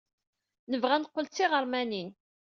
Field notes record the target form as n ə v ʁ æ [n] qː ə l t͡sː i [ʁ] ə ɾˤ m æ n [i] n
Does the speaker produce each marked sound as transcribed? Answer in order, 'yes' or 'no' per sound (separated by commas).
yes, yes, yes